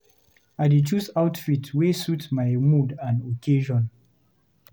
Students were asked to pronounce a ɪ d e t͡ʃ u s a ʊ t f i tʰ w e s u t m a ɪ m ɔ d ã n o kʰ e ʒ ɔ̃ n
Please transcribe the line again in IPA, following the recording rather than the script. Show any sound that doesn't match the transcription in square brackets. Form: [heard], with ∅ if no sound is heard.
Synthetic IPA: a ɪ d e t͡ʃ u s a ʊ t f i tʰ w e s u t m a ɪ m [u] d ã n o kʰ e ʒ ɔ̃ n